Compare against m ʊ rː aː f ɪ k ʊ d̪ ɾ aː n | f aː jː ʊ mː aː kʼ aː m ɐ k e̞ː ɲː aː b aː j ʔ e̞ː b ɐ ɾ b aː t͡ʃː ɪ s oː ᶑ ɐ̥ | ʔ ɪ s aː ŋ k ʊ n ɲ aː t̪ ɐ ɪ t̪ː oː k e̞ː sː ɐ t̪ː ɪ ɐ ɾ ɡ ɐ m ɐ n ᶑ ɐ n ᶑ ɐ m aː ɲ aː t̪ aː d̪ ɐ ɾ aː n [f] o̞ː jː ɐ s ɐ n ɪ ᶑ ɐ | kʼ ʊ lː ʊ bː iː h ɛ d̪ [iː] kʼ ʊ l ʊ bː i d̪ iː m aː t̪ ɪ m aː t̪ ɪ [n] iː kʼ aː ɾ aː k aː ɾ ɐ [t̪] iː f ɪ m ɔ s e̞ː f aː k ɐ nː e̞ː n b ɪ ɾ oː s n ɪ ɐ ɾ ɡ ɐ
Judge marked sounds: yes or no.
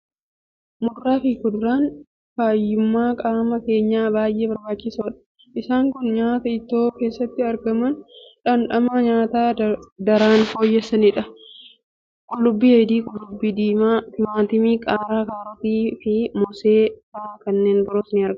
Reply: yes, yes, no, yes

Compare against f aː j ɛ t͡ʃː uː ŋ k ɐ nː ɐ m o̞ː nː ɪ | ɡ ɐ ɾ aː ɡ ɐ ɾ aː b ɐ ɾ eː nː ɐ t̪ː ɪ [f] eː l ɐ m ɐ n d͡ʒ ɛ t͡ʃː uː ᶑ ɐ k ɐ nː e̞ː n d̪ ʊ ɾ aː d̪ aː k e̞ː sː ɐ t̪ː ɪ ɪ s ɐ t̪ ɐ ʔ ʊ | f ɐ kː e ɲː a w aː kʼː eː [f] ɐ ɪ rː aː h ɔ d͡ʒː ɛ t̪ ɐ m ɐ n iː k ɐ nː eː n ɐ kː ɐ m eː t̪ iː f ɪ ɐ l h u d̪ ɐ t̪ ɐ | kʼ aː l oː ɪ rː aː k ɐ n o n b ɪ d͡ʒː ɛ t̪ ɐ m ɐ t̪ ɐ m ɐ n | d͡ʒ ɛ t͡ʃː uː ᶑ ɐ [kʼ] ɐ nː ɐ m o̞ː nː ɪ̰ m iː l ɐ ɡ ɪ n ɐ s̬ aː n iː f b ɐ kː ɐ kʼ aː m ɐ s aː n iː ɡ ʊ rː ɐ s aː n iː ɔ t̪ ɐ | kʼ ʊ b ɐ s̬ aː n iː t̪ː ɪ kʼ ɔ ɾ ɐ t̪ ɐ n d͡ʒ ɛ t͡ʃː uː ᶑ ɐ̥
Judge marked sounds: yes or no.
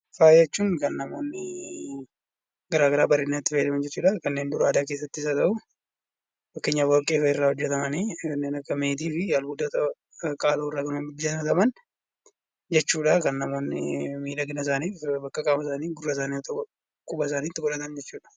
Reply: yes, yes, no

